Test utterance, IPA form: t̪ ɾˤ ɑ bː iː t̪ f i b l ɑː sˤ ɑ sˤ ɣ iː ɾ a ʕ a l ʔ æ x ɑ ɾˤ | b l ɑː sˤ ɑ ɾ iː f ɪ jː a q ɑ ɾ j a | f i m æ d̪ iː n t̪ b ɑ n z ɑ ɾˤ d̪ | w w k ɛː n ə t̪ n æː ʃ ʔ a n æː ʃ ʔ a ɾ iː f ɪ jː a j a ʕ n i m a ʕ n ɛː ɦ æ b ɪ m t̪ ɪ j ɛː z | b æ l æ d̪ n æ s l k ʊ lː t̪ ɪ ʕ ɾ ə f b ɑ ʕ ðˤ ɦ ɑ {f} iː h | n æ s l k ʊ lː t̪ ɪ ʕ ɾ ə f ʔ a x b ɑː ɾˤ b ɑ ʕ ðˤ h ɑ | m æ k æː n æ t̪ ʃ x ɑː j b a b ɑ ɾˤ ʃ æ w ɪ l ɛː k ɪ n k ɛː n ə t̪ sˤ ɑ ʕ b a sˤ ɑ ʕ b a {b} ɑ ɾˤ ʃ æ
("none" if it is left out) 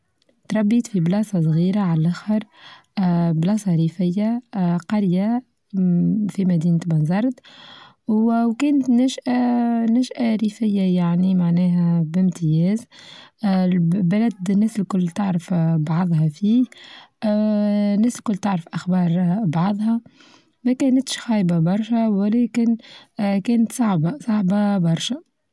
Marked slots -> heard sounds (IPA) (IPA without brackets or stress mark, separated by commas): f, b